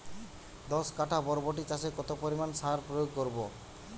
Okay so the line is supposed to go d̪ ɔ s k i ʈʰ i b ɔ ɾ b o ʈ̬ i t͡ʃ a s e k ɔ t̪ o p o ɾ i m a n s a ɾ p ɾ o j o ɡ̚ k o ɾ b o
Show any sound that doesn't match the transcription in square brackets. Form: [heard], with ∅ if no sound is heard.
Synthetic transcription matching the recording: d̪ ɔ s k [a] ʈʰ [a] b ɔ ɾ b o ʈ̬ i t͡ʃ a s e k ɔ t̪ o p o ɾ i m a n s a ɾ p ɾ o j o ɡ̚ k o ɾ b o